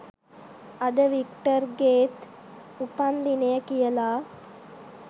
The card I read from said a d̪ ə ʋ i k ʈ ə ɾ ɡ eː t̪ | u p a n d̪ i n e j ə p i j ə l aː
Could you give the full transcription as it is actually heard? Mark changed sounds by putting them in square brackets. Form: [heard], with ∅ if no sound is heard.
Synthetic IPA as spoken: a d̪ ə ʋ i k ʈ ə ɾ ɡ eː t̪ | u p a n d̪ i n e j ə [k] i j ə l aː